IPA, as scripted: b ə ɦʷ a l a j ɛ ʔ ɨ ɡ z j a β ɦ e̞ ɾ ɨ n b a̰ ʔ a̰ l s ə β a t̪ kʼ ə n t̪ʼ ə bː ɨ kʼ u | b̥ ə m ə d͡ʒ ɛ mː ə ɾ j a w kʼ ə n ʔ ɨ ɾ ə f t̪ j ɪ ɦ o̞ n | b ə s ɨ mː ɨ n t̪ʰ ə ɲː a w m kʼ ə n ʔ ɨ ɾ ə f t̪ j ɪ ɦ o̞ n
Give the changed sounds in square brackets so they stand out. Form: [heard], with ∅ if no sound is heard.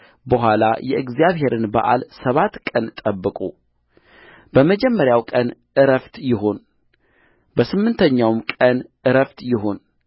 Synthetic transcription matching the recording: b ə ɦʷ a l a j ɛ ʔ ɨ ɡ z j a β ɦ e̞ ɾ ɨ n b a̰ ʔ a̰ l s ə β a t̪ kʼ ə n t̪ʼ ə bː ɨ kʼ u | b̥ ə m ə d͡ʒ ɛ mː ə ɾ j a w kʼ ə n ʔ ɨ ɾ ə f t̪ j ɪ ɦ o̞ n | b ə s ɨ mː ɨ n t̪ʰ ə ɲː a w m kʼ ə n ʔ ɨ ɾ ə f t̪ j ɪ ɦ o̞ n